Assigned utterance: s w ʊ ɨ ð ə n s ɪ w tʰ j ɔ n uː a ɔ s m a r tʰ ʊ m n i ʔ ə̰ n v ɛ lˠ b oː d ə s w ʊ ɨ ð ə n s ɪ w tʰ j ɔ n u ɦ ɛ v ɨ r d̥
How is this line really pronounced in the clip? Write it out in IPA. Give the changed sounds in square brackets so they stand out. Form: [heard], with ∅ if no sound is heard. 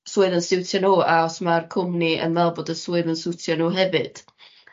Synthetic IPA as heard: s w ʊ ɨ ð ə n s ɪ w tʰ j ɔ n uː a ɔ s m a r [kʰ] ʊ m n i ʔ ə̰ n v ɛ lˠ b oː d ə s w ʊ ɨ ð ə n s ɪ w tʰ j ɔ n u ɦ ɛ v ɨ [∅] d̥

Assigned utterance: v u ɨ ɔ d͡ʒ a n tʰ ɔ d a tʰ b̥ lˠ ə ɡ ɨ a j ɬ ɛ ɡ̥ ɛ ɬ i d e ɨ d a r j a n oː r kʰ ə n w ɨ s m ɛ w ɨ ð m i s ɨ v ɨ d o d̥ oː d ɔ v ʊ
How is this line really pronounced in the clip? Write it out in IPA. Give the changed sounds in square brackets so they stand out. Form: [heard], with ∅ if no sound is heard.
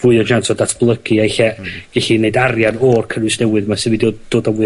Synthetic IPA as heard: v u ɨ ɔ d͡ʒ a n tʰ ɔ d a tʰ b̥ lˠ ə ɡ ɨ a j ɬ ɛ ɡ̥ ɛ ɬ i [n] e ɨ d a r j a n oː r kʰ ə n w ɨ s [n] ɛ w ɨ ð m [a] s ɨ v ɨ d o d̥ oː d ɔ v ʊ

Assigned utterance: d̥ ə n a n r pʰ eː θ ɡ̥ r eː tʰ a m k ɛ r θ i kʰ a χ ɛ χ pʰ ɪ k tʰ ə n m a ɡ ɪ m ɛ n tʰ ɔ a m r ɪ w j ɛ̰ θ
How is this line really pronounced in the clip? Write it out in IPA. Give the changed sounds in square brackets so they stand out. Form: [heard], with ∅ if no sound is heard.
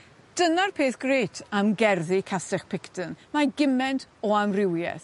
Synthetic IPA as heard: d̥ ə n a [∅] r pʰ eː θ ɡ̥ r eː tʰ a m [ɡ] ɛ r [ð] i kʰ a [s] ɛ χ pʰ ɪ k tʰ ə n m a ɡ ɪ m ɛ n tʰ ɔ a m r ɪ w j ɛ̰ θ

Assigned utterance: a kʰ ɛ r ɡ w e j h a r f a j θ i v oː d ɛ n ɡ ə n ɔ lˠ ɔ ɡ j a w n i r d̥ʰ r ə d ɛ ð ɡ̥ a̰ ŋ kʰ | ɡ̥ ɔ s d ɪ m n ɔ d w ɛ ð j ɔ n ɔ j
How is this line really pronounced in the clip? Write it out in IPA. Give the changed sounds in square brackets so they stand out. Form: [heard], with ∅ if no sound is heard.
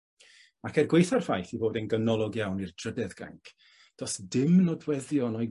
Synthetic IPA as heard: a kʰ ɛ r ɡ w e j [θ] a r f a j θ i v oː d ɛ n ɡ ə n ɔ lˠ ɔ ɡ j a w n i r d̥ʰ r ə d ɛ ð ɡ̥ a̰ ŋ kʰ | [d̥] ɔ s d ɪ m n ɔ d w ɛ ð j ɔ n ɔ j

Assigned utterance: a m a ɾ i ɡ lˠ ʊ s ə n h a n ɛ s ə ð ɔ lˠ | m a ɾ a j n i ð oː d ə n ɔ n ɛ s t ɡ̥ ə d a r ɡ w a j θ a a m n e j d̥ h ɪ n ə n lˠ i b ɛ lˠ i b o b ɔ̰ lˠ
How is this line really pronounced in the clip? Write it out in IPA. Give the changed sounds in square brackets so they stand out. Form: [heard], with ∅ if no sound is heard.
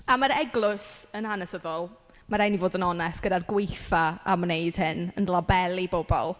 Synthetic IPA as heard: a m a ɾ [ɛ] ɡ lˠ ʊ s ə n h a n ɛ s ə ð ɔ lˠ | m a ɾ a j n i [v] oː d ə n ɔ n ɛ s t ɡ̥ ə d a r ɡ w [e] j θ a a m n e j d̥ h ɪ n ə n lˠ [a] b ɛ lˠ i b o b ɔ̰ lˠ

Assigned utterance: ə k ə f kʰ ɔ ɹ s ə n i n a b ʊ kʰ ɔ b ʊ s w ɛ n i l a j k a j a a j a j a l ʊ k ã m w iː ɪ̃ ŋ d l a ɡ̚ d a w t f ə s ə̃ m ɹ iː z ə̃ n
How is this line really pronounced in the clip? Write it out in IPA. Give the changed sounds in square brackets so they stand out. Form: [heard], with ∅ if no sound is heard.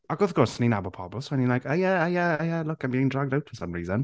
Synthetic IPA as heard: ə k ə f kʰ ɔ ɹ s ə n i n a b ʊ [pʰ] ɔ b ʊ s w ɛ n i l a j k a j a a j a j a l ʊ k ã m [b] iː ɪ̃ ŋ d [ɹ] a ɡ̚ d a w t f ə s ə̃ m ɹ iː z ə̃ n

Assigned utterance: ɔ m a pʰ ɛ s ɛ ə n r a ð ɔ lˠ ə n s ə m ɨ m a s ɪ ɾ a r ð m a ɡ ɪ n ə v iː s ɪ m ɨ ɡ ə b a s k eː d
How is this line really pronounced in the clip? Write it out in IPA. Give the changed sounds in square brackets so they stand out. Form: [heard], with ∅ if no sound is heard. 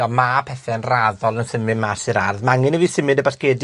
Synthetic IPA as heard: ɔ m a pʰ ɛ [θ] ɛ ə n r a ð ɔ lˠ ə n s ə m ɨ m a s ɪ ɾ a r ð m a [ŋ] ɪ n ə v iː s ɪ m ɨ [d] ə b a s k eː d

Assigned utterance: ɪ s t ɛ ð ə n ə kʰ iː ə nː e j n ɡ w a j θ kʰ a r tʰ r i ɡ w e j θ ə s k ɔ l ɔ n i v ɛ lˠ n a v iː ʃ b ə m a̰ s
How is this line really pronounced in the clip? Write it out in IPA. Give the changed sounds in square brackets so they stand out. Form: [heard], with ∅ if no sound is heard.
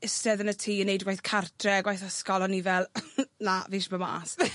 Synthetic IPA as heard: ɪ s t ɛ ð ə n ə [tʰ] iː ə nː e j [d] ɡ w a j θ kʰ a r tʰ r [ɛ] ɡ w [a] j θ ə s k ɔ l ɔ n i v ɛ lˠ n a v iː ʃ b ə m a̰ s

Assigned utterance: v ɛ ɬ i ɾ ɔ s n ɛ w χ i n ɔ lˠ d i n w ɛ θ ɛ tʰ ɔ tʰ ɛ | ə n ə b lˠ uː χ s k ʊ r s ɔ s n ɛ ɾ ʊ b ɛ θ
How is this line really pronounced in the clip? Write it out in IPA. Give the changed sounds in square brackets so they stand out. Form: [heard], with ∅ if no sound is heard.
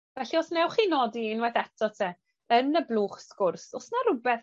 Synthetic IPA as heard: v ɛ ɬ i [∅] ɔ s n ɛ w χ i n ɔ [∅] d i n w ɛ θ ɛ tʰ ɔ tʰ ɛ | ə n ə b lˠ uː χ s k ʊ r s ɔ s n [a] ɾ ʊ b ɛ θ

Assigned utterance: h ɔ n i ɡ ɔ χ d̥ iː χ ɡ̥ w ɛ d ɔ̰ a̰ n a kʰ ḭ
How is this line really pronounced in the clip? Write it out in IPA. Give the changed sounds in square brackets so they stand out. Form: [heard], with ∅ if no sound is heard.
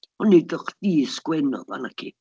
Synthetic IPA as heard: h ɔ n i [d] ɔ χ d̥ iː [s] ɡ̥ w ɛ [n] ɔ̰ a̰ n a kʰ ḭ

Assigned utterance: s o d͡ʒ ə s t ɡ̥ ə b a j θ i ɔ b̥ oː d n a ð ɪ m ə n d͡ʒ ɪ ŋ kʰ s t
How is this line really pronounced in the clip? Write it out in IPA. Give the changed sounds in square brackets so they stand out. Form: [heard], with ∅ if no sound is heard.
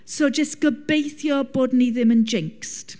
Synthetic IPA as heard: s o d͡ʒ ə s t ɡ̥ ə b [e] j θ [j] ɔ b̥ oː d n [i] ð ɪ m ə n d͡ʒ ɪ ŋ [k] s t

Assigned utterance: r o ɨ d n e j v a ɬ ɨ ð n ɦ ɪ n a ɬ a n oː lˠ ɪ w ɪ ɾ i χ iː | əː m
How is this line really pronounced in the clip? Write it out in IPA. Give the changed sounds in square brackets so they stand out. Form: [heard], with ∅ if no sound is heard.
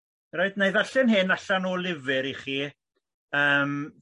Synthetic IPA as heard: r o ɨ d n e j [ð] a ɬ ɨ [∅] n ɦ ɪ n a ɬ a n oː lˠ ɪ [v] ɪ ɾ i χ iː | əː m

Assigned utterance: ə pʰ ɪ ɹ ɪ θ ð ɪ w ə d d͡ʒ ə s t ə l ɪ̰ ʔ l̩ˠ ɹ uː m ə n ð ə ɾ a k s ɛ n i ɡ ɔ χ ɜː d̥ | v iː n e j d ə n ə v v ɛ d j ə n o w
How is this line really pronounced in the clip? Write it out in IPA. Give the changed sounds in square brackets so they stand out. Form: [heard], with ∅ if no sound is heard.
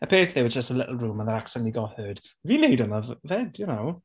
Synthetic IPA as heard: ə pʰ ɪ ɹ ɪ θ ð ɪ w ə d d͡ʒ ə s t ə l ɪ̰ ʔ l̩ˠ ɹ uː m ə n ð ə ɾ a k s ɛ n i ɡ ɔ [h] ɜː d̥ | v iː n e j d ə n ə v v ɛ d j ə n o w

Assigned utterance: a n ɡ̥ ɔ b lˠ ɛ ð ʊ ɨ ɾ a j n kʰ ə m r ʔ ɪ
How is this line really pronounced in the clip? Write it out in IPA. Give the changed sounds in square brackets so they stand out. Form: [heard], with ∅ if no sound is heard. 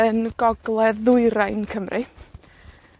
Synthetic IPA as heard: [ə] n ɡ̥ ɔ [ɡ] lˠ ɛ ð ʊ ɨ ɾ a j n kʰ ə m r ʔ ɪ

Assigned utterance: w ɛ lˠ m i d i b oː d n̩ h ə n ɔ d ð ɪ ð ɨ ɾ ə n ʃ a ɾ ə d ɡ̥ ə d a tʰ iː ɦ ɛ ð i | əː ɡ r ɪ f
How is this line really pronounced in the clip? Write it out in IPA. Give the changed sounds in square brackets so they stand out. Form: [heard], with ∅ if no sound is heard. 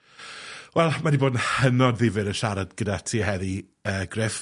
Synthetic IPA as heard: w ɛ lˠ m [a] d i b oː d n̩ h ə n ɔ d ð ɪ [v] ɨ ɾ ə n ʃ a ɾ [a] d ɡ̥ ə d a tʰ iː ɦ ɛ ð i | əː ɡ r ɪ f

